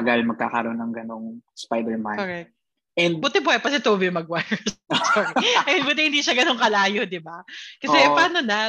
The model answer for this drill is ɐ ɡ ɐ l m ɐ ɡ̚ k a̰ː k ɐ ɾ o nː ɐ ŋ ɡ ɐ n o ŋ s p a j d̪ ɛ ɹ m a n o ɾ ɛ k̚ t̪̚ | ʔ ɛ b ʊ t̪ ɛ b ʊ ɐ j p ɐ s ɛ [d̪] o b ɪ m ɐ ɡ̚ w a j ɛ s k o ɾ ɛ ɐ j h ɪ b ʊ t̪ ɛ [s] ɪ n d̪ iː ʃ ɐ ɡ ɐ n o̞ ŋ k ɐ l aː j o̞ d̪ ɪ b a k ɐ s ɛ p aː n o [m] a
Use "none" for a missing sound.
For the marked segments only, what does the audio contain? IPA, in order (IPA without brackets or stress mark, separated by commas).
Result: t̪, h, n